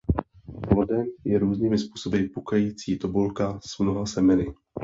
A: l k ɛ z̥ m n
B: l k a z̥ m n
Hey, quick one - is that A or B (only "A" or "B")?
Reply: B